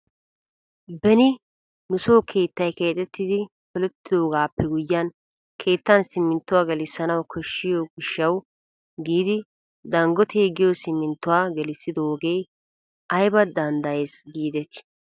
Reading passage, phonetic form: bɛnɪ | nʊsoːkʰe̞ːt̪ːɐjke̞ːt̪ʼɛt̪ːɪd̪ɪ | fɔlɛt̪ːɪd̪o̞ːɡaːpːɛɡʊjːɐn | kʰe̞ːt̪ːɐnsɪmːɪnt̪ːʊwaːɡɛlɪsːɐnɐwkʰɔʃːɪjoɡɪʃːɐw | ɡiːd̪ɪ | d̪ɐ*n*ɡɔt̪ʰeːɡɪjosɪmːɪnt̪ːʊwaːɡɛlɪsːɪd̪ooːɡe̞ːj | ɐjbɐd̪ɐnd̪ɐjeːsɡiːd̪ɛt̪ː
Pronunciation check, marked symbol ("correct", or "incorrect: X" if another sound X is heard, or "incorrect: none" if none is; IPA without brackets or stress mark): incorrect: ŋ